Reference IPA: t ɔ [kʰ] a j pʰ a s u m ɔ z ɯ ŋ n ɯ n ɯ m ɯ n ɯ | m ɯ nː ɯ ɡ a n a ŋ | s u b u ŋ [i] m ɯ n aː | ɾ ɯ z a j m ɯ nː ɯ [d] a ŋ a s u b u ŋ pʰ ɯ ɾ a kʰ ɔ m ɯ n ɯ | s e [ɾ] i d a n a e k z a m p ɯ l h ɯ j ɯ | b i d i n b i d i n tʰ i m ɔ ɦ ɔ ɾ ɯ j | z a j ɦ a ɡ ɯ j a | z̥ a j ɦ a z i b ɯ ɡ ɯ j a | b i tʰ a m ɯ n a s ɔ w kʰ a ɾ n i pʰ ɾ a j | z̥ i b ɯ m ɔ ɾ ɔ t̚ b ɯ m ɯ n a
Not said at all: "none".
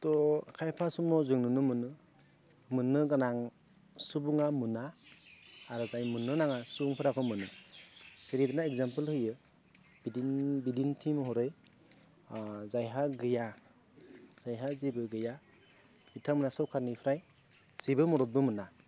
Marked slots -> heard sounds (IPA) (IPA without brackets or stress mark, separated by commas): kʰ, a, n, ɾ